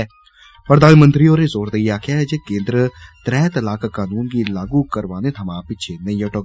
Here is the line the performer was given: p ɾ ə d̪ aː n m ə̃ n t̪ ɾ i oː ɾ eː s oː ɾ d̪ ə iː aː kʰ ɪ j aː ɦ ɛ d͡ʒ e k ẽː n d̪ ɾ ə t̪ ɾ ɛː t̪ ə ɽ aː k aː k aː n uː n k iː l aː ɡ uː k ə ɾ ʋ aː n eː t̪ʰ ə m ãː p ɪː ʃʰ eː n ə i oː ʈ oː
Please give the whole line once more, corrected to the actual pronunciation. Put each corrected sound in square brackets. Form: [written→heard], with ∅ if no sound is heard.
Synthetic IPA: p ɾ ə d̪ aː n m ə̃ n t̪ ɾ i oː ɾ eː [s→z] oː ɾ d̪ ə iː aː kʰ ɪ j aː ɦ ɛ d͡ʒ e k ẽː n d̪ ɾ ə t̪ ɾ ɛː t̪ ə [ɽ→l] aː k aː k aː n uː n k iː l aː ɡ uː k ə ɾ ʋ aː n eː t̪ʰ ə m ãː p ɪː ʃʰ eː n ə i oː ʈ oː